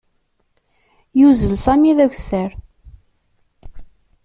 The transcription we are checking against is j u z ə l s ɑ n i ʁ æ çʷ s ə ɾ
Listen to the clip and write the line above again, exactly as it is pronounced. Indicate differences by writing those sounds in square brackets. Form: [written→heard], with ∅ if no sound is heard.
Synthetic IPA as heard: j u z ə l s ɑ [n→m] i [ʁ→ð] æ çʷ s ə ɾ